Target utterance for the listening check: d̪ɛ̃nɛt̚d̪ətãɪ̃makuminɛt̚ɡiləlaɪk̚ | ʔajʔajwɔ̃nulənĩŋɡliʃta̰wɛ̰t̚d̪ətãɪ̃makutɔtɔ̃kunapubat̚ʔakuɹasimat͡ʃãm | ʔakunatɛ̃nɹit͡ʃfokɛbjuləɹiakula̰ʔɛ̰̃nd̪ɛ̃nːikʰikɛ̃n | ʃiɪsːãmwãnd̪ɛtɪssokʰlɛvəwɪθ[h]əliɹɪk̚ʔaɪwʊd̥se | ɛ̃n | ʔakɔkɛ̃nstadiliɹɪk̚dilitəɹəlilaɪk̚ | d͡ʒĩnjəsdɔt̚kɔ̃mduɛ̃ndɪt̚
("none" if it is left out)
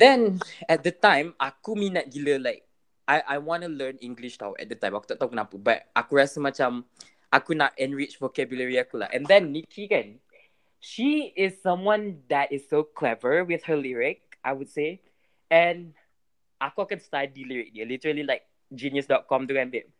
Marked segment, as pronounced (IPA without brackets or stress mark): h